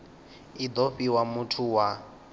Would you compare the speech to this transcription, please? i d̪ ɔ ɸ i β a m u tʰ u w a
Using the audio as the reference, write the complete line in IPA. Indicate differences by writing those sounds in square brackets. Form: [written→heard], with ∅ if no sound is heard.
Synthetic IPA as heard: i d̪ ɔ ɸ i [β→w] a m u tʰ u w a